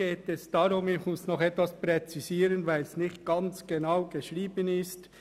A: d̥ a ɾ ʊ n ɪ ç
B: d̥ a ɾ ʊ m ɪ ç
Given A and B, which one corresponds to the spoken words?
B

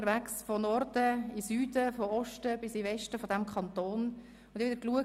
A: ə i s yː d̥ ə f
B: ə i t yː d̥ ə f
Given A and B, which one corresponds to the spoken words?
A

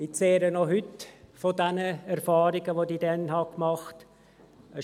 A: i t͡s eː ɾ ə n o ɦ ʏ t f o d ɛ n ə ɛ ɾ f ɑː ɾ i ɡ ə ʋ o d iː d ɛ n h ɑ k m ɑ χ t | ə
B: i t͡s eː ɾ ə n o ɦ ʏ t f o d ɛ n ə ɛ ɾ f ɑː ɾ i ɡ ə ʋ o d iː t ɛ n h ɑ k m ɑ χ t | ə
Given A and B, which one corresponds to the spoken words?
A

